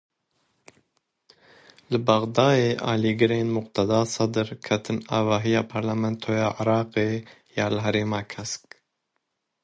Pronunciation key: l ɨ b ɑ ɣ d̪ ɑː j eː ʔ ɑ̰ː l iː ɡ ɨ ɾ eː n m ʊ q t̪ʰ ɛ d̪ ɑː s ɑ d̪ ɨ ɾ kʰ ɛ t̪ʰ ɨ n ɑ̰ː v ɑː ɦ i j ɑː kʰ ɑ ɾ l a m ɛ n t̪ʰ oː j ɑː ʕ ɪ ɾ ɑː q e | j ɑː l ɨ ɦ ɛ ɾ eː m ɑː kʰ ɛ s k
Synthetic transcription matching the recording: l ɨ b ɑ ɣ d̪ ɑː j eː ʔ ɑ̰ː l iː ɡ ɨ ɾ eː n m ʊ q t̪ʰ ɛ d̪ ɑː s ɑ d̪ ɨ ɾ kʰ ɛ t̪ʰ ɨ n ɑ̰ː v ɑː ɦ i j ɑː pʰ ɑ ɾ l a m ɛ n t̪ʰ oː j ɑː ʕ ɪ ɾ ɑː q e | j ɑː l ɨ ɦ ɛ ɾ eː m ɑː kʰ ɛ s k